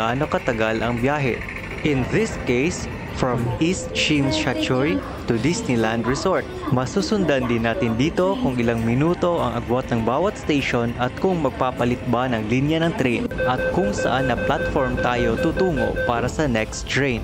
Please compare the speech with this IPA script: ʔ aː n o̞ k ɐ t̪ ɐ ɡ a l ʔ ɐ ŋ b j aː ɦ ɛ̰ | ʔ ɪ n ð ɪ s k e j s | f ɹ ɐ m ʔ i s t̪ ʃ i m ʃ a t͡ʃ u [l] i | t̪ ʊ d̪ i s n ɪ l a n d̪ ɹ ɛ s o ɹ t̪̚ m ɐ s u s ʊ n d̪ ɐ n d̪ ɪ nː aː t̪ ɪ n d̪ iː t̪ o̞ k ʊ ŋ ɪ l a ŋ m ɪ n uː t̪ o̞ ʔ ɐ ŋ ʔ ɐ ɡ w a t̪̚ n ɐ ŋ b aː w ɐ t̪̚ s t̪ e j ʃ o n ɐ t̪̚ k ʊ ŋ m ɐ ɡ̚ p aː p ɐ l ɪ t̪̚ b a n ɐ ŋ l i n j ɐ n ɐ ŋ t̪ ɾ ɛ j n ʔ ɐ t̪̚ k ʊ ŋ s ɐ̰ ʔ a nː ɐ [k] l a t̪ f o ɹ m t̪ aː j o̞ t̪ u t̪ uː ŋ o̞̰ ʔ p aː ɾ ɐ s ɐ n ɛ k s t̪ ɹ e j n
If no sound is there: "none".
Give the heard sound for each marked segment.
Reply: ɹ, p

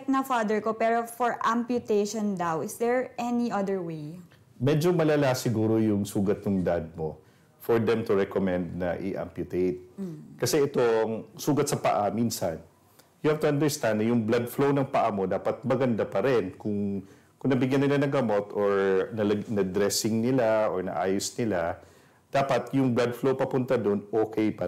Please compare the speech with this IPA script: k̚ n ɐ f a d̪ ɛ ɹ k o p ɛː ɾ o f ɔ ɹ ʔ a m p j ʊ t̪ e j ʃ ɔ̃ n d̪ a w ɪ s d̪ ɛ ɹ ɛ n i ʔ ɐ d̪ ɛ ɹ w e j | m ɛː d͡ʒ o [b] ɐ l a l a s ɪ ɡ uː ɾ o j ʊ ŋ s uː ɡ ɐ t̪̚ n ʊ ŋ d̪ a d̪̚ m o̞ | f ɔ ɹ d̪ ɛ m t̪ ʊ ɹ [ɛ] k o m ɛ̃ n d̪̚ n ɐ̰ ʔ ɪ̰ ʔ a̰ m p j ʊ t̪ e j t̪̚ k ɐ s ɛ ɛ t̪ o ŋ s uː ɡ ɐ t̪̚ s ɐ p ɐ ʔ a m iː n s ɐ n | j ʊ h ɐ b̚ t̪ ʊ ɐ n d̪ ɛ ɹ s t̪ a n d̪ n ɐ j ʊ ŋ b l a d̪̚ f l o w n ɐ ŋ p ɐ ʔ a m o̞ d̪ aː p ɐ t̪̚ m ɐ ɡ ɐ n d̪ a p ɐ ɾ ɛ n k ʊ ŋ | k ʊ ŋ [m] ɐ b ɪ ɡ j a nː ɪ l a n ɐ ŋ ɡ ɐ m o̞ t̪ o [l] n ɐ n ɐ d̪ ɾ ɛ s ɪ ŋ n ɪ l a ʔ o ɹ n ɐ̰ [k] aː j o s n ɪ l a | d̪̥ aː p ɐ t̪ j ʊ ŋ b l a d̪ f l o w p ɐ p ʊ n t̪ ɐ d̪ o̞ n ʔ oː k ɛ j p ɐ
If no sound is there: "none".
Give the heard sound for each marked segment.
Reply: m, ɛ, n, ɹ, ʔ

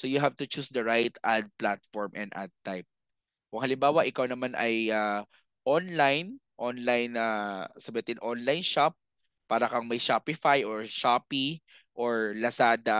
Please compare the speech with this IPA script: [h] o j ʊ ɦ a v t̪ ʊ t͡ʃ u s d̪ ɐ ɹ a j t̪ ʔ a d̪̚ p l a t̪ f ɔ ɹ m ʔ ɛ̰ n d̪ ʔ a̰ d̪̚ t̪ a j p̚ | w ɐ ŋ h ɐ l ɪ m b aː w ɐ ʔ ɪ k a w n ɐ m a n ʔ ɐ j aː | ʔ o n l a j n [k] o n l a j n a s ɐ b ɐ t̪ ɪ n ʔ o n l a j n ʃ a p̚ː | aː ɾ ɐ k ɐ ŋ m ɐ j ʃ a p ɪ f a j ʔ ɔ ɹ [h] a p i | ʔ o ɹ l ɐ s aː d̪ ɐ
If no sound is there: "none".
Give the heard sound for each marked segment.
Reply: s, ʔ, ʃ

